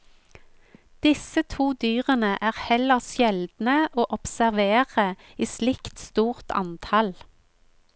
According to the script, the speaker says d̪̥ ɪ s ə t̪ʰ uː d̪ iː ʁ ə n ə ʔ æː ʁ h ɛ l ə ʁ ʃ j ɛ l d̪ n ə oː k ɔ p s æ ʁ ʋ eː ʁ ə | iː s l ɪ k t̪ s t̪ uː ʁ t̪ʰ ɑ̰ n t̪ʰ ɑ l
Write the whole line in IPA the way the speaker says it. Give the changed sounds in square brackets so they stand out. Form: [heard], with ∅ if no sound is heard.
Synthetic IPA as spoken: d̪̥ ɪ s ə t̪ʰ uː d̪ [yː] ʁ ə n ə ʔ æː ʁ h ɛ l ə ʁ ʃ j ɛ l d̪ n ə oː [ʔ] ɔ p s æ ʁ ʋ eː ʁ ə | iː s l ɪ k t̪ s t̪ uː ʁ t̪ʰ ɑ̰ n t̪ʰ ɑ l

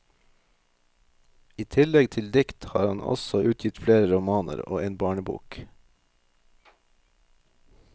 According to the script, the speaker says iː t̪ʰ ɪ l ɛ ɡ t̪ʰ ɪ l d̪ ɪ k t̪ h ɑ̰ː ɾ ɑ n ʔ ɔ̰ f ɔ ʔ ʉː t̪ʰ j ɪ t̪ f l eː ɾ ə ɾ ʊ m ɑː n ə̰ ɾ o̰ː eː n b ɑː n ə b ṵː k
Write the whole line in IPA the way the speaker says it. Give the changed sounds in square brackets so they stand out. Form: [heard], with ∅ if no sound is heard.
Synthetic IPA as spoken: iː t̪ʰ ɪ l ɛ ɡ t̪ʰ ɪ l d̪ ɪ k t̪ h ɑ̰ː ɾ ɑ n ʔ ɔ̰ [s] ɔ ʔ ʉː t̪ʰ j ɪ t̪ f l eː ɾ ə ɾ ʊ m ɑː n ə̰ ɾ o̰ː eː n b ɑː [ɳ] ə b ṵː k

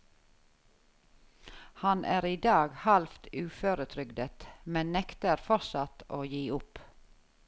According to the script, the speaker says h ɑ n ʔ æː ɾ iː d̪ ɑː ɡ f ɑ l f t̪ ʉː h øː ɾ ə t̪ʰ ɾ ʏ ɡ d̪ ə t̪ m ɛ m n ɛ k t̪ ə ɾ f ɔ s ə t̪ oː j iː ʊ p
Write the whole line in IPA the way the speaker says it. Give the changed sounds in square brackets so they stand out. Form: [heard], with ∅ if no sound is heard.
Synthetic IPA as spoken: h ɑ n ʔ æː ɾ iː d̪ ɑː ɡ [h] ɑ l f t̪ ʉː [f] øː ɾ ə t̪ʰ ɾ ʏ ɡ d̪ ə t̪ m ɛ [n] n ɛ k t̪ ə ɾ f ɔ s [ɑ] t̪ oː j iː ʊ p

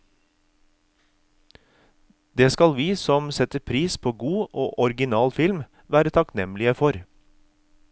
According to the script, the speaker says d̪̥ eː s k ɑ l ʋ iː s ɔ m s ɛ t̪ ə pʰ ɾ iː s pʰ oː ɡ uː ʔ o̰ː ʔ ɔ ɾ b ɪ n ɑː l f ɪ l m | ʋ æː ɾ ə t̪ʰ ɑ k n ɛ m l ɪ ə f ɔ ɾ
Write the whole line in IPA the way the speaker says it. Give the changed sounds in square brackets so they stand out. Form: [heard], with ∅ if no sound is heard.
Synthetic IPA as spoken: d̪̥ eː s k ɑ l ʋ iː s ɔ m s ɛ t̪ ə pʰ ɾ iː s pʰ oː ɡ uː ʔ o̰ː ʔ ɔ ɾ [ɡ] ɪ n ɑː l f ɪ l m | ʋ æː ɾ ə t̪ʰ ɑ k n ɛ m l ɪ ə f ɔ ɾ

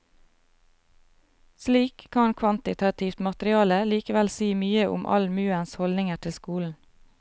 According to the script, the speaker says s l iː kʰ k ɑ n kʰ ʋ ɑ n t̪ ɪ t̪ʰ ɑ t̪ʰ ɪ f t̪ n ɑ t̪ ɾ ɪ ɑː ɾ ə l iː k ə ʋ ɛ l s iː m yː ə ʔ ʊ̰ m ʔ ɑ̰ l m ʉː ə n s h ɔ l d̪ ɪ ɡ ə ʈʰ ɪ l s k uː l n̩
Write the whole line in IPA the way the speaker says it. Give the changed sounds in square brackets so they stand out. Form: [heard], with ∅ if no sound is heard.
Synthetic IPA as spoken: s l iː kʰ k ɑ n kʰ ʋ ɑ n t̪ ɪ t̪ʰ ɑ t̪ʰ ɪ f t̪ [m] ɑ t̪ ɾ ɪ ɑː [l] ə l iː k ə ʋ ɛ l s iː m yː ə ʔ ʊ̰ m ʔ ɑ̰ l m ʉː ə n s h ɔ l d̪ ɪ [ŋ] ə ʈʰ ɪ l s k uː l n̩

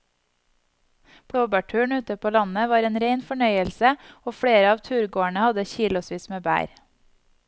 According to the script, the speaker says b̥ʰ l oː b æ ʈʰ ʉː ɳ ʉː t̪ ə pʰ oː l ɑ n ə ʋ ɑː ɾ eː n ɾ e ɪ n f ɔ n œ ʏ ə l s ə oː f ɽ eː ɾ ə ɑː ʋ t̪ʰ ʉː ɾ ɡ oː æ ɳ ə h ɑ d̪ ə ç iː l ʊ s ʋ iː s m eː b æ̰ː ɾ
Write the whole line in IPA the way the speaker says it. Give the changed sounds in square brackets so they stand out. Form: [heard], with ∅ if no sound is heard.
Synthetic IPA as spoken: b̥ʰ [ɽ] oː b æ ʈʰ ʉː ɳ ʉː t̪ ə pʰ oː l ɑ n ə ʋ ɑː ɾ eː n ɾ e ɪ n f ɔ [ɳ] œ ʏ ə l s ə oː f ɽ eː ɾ ə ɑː ʋ t̪ʰ ʉː ɾ ɡ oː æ ɳ ə h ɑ d̪ ə ç iː l ʊ s ʋ iː s m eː b æ̰ː ɾ

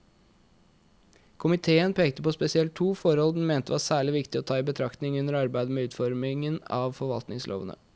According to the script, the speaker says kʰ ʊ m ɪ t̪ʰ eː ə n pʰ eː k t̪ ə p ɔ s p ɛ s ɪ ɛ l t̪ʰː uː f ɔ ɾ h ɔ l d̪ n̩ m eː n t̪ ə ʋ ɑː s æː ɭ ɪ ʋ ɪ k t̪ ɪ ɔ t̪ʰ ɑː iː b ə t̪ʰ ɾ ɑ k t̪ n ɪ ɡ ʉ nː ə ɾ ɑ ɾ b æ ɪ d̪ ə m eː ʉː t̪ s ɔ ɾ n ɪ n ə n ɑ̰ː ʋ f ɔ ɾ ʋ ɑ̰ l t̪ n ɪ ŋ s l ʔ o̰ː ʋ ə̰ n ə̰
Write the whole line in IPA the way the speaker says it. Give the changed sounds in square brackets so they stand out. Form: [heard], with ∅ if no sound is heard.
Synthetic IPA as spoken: kʰ ʊ m ɪ t̪ʰ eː ə n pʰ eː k t̪ ə p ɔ s p ɛ s ɪ ɛ l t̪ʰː uː f ɔ ɾ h ɔ l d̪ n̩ m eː n t̪ ə ʋ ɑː s æː ɭ ɪ ʋ ɪ k t̪ ɪ ɔ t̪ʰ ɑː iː b ə t̪ʰ ɾ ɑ k t̪ n ɪ [ŋ] ʉ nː ə ɾ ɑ ɾ b æ ɪ d̪ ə m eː ʉː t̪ [f] ɔ ɾ [m] ɪ [ŋ] ə n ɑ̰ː ʋ f ɔ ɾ ʋ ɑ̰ l t̪ n ɪ ŋ s l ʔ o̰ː ʋ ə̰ n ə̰

